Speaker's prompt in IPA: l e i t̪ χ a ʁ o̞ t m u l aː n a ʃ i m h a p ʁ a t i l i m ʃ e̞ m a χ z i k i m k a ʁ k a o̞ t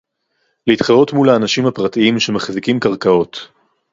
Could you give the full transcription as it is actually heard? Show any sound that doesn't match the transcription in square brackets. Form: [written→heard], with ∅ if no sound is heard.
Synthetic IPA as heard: l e i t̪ χ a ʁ o̞ t m u l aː n a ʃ i m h a p ʁ a t i [l→∅] i m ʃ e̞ m a χ z i k i m k a ʁ k a o̞ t